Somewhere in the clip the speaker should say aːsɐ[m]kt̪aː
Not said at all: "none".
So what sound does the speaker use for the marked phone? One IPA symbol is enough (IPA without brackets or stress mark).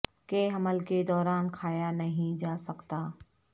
none